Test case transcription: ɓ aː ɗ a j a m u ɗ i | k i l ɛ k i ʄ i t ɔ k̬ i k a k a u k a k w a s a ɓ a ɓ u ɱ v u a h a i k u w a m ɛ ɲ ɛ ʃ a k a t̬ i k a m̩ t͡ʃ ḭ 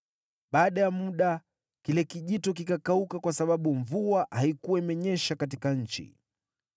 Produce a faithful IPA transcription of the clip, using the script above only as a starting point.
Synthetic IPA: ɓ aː ɗ a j a m u ɗ a | k i l ɛ k i ʄ i t ɔ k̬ i k a k a u k a k w a s a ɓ a ɓ u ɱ v u a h a i k u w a m ɛ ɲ ɛ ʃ a k a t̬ i k a ɲ̩ t͡ʃ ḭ